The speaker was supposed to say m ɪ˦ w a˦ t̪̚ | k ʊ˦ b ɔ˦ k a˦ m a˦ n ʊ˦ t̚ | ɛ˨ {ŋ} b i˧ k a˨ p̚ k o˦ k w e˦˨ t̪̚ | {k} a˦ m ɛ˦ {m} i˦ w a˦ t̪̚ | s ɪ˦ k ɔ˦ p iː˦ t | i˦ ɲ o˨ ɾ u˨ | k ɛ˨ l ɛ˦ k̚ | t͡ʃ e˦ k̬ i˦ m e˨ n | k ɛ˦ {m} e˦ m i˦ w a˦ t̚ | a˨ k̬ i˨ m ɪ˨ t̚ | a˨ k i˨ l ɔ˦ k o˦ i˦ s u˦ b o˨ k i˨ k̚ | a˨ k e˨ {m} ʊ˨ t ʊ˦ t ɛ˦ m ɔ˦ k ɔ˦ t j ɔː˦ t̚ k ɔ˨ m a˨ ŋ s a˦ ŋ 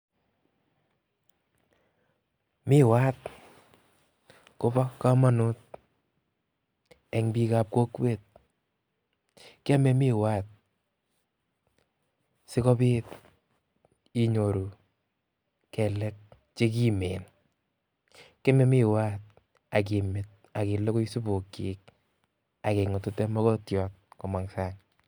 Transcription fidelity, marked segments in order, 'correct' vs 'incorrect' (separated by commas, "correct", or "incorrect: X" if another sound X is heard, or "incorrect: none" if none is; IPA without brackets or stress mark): correct, correct, correct, correct, incorrect: ŋ